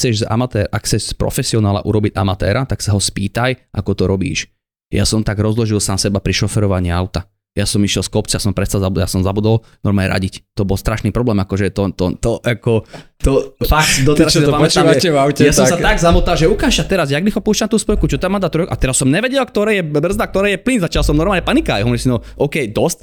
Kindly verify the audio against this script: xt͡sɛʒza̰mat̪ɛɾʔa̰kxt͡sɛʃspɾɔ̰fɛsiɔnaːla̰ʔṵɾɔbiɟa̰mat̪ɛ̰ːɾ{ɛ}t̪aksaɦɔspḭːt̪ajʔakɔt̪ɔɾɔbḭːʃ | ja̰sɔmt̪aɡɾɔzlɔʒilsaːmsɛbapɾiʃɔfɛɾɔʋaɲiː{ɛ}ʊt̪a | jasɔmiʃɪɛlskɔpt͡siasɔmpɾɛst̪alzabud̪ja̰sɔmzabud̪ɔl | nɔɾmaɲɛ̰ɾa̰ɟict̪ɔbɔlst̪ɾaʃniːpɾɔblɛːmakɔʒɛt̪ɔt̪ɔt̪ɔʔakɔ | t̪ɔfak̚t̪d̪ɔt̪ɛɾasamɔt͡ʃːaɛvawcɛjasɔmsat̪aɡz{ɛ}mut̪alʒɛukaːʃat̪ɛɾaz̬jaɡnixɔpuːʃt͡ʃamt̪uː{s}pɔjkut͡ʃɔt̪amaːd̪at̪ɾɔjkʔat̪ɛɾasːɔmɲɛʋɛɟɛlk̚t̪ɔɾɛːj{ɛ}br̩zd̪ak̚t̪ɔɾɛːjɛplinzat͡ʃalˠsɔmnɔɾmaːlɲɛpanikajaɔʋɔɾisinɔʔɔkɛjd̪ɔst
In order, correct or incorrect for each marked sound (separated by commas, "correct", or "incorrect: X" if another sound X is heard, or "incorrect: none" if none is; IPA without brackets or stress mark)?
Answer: incorrect: a, incorrect: a, incorrect: a, correct, correct